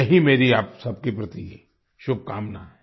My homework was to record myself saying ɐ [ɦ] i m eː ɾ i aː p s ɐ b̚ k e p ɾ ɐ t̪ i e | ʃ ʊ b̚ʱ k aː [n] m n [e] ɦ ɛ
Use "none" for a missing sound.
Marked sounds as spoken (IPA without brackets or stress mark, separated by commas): ɦ, none, a